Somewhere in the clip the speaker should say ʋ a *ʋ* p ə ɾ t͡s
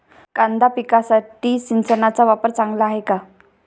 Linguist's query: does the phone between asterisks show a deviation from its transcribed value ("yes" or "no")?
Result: yes